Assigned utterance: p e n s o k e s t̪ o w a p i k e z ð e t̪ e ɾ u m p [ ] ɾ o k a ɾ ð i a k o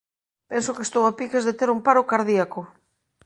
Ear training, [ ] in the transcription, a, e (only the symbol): a